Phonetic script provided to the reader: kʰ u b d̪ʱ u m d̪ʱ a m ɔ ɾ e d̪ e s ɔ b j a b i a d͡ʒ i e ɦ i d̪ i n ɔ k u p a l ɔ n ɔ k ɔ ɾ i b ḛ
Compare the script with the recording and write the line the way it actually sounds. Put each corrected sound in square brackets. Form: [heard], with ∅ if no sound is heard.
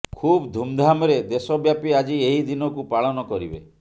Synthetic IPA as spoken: kʰ u b d̪ʱ u m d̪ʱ a m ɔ ɾ e d̪ e s ɔ b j a [p] i a d͡ʒ i e ɦ i d̪ i n ɔ k u p a [ɭ] ɔ n ɔ k ɔ ɾ i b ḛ